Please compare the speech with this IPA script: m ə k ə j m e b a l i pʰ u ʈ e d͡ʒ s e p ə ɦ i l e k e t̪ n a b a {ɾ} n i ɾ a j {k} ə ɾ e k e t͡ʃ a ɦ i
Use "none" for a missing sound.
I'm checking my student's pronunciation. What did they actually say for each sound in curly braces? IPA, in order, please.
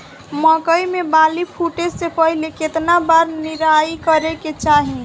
ɾ, k

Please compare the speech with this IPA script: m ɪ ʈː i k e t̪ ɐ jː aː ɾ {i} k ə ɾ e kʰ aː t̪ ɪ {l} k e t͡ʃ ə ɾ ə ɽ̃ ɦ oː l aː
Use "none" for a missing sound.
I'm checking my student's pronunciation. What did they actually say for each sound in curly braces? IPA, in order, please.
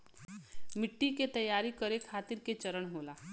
i, ɾ

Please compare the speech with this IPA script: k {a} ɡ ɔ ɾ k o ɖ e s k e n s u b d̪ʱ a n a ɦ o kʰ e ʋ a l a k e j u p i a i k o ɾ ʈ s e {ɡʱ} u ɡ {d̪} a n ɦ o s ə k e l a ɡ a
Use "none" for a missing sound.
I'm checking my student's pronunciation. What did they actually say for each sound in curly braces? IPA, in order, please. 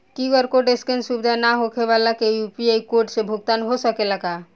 i, bʱ, t̪

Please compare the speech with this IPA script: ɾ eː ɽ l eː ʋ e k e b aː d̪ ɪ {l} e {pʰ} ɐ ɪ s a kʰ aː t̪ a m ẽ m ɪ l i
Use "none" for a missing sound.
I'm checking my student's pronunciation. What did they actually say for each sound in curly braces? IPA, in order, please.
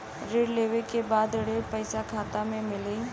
ɽ, p

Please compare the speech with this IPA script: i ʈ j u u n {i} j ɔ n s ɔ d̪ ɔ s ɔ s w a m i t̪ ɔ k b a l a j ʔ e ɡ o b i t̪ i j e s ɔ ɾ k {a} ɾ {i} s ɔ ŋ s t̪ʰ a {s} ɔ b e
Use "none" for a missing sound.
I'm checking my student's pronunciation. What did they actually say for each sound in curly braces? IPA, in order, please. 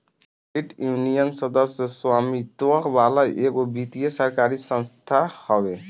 i, a, i, h

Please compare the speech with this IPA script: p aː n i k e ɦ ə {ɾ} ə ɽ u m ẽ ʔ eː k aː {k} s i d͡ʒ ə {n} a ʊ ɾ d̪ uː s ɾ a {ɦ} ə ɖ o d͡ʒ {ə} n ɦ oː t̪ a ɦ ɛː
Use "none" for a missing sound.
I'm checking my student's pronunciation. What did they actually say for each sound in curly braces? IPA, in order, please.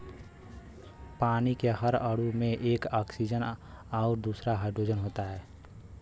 ɾ, k, n, ɦ, ə

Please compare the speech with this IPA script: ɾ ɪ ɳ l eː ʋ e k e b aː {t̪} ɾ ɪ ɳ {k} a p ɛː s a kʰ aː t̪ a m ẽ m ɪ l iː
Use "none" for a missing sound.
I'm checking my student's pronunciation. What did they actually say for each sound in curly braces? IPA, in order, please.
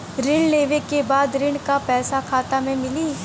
d̪, k

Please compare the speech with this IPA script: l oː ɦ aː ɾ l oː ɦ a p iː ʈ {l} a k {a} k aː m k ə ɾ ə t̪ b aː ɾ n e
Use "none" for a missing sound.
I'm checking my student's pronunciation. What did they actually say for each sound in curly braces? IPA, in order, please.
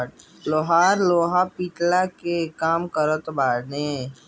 l, e

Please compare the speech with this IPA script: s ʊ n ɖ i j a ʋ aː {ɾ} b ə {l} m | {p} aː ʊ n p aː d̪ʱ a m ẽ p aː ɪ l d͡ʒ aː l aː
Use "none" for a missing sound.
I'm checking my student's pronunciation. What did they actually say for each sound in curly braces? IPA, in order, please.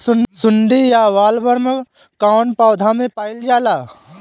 l, ɾ, k

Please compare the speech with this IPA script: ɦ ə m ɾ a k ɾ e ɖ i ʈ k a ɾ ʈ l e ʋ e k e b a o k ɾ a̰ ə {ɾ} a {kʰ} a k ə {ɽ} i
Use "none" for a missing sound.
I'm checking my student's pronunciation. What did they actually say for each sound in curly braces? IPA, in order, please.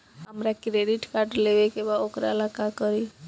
l, k, ɾ

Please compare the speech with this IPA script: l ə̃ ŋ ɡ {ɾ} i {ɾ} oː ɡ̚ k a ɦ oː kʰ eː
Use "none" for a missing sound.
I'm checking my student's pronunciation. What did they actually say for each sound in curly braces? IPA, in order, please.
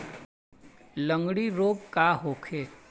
ɽ, ɾ

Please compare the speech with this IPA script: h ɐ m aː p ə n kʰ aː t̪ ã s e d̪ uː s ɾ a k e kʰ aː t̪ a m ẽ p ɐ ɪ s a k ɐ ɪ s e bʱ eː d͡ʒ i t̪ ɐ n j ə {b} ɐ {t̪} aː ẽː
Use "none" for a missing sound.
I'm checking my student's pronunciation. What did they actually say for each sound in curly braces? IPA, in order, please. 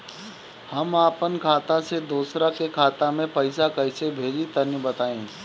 b, t̪

